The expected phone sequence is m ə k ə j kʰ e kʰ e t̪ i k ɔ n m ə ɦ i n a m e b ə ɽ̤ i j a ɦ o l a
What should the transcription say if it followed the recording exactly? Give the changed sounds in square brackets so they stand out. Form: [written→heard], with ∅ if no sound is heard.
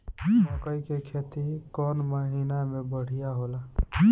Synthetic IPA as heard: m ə k ə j [kʰ→k] e kʰ e t̪ i k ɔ n m ə ɦ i n a m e b ə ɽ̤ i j a ɦ o l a